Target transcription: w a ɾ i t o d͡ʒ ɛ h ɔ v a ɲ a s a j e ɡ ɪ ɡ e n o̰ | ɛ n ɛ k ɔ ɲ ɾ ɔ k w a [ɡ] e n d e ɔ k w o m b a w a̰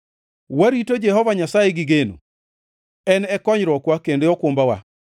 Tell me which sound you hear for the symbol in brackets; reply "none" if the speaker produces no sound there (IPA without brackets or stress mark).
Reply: k